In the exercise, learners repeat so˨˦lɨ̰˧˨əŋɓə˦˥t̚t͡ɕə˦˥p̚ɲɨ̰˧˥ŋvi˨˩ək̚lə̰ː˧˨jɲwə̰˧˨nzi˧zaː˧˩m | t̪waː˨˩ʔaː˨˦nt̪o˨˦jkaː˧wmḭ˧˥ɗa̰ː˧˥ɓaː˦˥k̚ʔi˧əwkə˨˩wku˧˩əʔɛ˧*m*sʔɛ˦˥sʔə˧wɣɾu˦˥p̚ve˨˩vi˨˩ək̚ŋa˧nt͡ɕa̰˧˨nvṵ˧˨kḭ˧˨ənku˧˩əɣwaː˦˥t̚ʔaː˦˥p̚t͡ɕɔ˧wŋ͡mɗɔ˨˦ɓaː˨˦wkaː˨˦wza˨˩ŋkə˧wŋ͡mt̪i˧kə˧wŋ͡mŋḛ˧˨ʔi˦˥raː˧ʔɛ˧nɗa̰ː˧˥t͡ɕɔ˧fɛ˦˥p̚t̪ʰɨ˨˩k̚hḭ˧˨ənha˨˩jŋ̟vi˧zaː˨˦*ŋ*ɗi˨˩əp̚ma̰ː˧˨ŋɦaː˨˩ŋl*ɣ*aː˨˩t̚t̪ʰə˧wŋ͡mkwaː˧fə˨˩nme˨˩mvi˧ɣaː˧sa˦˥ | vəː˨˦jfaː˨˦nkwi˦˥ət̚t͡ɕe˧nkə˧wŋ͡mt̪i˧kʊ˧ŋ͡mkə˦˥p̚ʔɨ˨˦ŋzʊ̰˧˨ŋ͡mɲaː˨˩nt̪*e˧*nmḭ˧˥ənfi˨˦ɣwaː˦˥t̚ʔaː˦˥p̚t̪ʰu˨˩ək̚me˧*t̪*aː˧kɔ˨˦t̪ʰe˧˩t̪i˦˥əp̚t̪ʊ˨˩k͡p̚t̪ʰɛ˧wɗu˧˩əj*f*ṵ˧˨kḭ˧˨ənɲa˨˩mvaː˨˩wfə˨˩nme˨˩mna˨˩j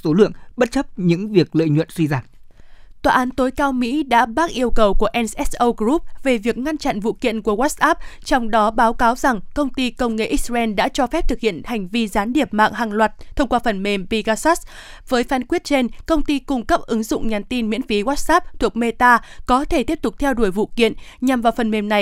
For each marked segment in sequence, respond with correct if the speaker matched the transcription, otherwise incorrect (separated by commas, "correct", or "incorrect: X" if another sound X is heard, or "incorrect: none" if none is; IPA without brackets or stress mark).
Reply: incorrect: n, incorrect: n, incorrect: w, incorrect: i˧, correct, incorrect: v